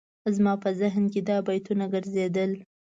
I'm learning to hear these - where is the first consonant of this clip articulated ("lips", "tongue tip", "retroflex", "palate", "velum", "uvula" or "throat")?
tongue tip